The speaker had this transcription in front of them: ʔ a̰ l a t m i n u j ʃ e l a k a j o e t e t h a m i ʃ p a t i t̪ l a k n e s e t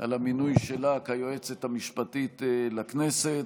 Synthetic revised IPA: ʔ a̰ l a m i n u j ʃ e l a k a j o e t͡s e t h a m i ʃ p a t i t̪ l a k n e s e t